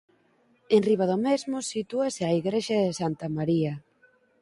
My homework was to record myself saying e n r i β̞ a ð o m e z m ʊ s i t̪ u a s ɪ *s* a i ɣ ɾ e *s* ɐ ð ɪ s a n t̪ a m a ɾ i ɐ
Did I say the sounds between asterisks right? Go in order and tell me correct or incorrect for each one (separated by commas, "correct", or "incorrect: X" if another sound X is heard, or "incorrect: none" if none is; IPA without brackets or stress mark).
incorrect: none, incorrect: ʃ